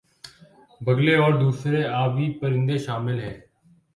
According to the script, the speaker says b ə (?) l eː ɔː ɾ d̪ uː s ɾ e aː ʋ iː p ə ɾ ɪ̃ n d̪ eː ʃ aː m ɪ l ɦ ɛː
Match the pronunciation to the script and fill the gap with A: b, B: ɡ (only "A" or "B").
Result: B